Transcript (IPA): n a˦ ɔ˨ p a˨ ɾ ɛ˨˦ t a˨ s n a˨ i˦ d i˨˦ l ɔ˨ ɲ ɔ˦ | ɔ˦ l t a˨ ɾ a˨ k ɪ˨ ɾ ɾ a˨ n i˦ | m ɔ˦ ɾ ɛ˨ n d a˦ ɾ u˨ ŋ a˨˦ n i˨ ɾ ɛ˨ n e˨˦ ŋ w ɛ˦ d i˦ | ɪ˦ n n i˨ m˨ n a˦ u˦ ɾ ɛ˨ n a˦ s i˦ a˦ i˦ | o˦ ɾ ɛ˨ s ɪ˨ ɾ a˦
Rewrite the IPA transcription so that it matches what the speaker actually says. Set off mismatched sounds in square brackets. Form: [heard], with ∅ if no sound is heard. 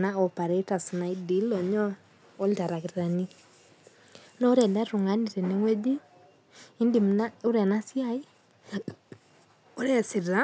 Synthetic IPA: n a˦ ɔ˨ p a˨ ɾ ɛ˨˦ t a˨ s n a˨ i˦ d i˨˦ l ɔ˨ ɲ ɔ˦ | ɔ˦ l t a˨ ɾ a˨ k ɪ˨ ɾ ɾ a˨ n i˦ | [n] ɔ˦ ɾ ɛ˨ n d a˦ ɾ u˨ ŋ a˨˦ n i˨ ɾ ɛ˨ n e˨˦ ŋ w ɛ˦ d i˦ | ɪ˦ n [d] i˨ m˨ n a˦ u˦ ɾ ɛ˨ n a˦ s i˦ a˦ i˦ | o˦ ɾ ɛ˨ s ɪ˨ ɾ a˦

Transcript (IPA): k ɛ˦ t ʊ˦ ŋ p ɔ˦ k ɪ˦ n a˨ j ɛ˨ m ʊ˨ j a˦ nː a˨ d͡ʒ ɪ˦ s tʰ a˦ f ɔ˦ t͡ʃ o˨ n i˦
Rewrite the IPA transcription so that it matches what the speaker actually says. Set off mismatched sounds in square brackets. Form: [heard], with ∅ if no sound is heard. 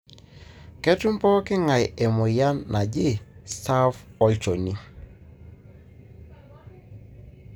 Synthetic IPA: k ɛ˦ t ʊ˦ [m] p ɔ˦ k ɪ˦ [ŋ] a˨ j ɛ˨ m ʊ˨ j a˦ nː a˨ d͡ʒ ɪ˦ s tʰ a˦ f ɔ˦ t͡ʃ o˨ n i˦

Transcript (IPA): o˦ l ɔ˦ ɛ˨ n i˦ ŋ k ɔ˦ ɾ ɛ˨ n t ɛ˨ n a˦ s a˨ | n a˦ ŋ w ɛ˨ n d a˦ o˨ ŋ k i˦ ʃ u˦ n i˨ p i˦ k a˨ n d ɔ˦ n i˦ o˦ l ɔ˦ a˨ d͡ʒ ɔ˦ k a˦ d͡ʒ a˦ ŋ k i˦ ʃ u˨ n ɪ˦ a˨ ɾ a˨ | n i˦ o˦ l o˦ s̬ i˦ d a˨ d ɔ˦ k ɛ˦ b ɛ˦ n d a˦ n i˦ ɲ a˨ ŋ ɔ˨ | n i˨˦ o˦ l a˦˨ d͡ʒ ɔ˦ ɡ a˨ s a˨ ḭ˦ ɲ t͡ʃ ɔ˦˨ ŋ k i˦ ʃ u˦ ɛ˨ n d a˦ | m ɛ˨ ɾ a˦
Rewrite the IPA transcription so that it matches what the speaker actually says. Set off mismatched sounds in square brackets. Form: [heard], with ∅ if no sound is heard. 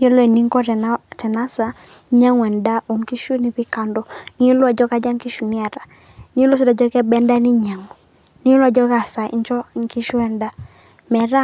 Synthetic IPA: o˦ l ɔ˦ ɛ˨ n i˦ ŋ k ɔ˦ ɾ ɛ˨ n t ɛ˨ n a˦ s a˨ | [ɲ] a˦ ŋ w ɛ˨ n d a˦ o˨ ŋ k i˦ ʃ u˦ n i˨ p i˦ k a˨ n d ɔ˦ n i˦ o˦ l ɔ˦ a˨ d͡ʒ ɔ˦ k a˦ d͡ʒ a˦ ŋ k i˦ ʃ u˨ n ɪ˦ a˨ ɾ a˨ | n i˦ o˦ l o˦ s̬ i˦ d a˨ [d͡ʒ] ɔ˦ k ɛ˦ b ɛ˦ n d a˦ n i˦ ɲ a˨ ŋ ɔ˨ | n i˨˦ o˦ l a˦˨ d͡ʒ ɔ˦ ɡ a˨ s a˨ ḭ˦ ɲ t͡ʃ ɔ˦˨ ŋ k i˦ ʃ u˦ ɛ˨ n d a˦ | m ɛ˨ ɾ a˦

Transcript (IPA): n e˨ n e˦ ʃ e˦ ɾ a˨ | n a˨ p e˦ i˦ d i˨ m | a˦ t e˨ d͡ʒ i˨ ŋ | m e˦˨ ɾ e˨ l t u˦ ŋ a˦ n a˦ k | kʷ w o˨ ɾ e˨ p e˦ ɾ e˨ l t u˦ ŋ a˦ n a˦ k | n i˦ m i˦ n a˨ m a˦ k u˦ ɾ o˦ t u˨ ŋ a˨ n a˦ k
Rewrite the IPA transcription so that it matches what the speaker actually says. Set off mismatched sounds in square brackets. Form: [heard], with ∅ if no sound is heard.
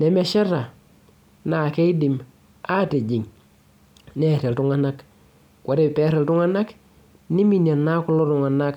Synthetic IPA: n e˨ [m] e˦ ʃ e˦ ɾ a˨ | n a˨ [k] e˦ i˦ d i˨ m | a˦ t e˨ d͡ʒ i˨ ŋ | [n] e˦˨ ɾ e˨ l t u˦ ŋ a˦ n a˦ k | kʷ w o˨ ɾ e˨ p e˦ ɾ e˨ l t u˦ ŋ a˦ n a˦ k | n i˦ m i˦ n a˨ [n] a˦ k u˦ [l] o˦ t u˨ ŋ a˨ n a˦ k

